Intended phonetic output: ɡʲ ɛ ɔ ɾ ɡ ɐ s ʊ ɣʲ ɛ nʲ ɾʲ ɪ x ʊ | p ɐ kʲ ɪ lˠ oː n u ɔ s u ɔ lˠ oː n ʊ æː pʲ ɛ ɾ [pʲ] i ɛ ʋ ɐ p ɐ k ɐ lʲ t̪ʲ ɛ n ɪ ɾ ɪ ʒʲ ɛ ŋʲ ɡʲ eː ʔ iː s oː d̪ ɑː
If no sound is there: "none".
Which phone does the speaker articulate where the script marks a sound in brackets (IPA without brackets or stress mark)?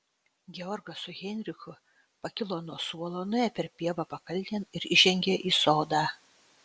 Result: pʲ